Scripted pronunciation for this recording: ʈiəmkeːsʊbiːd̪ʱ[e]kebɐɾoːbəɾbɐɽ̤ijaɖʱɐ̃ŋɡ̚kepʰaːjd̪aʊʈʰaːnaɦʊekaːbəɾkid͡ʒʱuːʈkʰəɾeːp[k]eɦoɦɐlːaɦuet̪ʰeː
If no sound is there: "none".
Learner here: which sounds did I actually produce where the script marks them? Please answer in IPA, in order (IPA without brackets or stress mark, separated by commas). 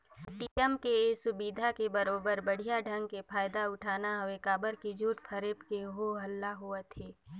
a, k